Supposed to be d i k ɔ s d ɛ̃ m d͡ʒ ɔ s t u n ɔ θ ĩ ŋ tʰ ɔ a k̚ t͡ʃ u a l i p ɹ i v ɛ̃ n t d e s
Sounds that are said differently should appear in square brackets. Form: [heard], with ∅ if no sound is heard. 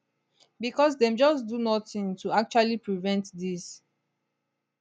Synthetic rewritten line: [b] i k ɔ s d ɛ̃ m d͡ʒ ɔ s [d] u n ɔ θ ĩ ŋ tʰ [u] a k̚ t͡ʃ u a l i p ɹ i v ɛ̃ n t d [i] s